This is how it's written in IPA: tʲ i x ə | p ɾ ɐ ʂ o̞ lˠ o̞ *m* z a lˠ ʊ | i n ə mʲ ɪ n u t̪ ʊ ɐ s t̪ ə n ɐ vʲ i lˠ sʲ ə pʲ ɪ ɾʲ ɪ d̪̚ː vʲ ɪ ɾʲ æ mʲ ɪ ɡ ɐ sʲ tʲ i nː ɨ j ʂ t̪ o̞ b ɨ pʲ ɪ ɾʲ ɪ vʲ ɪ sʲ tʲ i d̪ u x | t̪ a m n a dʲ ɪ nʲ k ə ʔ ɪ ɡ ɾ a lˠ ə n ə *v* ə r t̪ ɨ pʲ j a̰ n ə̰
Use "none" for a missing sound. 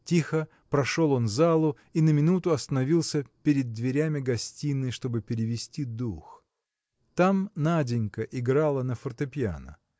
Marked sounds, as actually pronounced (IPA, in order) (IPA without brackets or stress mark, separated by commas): n, f